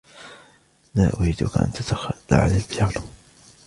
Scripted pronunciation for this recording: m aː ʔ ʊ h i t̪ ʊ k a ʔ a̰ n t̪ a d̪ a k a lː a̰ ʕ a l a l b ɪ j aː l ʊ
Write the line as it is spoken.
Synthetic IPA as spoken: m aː ʔ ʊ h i d̪ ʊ k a ʔ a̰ n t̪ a t̪ a x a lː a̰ ʕ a l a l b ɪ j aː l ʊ